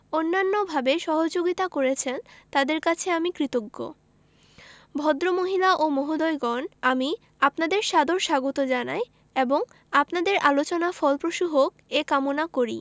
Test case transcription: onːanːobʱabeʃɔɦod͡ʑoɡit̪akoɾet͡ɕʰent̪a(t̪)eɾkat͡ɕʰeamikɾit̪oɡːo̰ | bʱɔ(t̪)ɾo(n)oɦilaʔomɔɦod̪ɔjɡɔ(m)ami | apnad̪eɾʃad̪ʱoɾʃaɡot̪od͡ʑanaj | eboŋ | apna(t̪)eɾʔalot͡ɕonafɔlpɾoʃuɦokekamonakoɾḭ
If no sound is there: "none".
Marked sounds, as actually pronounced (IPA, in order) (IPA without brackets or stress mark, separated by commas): d̪, d̪, m, n, d̪